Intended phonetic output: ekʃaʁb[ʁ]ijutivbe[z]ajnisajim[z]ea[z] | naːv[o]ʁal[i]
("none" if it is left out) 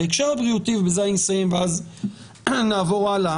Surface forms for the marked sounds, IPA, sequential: ʁ, z, v, z, o, a

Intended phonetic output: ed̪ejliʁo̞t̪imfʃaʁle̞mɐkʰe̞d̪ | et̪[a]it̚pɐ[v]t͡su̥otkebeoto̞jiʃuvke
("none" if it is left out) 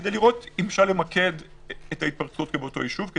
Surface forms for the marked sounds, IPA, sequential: a, ʁ

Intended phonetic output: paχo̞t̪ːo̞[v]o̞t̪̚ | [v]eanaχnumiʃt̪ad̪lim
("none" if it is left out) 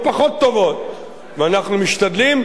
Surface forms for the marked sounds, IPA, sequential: v, v

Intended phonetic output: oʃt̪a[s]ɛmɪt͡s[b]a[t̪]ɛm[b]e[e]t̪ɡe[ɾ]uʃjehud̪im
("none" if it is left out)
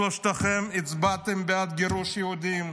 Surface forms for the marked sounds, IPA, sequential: χ, b, t̪, b, a, ɾ

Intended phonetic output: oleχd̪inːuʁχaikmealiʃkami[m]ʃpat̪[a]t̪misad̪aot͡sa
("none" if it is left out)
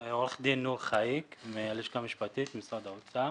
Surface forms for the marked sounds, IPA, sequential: none, i

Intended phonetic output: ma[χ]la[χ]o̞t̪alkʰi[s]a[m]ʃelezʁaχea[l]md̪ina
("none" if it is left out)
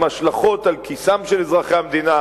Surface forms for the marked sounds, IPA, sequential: ʃ, χ, s, m, none

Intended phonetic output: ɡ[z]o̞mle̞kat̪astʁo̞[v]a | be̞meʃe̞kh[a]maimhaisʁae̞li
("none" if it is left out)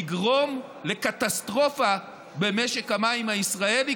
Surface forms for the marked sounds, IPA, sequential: ʁ, f, a

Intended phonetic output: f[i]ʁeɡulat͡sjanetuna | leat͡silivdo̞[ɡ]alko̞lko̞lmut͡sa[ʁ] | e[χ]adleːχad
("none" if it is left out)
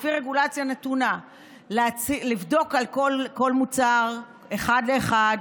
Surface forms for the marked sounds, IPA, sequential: i, k, ʁ, χ

